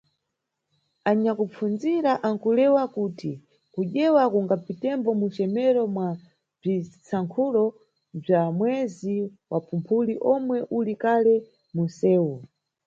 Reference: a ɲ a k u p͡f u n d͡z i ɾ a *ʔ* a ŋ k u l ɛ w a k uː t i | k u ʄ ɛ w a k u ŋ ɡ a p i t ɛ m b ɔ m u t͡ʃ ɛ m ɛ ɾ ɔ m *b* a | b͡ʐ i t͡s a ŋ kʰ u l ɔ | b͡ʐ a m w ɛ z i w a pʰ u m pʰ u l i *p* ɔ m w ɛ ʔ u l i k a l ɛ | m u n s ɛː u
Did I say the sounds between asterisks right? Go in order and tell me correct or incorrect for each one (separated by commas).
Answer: correct, incorrect, incorrect